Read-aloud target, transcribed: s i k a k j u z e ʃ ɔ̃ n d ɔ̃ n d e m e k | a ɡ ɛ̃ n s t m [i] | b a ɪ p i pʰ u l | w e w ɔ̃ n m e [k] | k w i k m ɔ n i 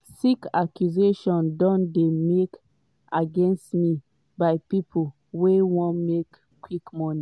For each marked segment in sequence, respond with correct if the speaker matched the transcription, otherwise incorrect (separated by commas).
correct, correct